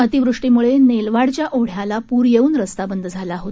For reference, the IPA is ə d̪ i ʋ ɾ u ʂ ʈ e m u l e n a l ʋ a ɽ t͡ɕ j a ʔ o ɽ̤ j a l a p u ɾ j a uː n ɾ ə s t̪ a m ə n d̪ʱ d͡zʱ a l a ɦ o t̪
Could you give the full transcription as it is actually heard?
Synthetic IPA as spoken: ə t̪ i ʋ ɾ u ʂ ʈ i m u ɭ e n e l ʋ a ɽ t͡ɕ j a ʔ o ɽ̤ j a l a p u ɾ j e uː n ɾ ə s t̪ a b ə n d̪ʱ d͡zʱ a l a ɦ o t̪